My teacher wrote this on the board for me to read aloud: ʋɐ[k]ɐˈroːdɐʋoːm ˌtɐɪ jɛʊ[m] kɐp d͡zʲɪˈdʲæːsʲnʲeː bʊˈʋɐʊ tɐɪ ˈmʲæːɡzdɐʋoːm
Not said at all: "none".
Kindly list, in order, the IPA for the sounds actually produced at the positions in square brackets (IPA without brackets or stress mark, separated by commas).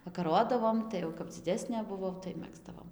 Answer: k, none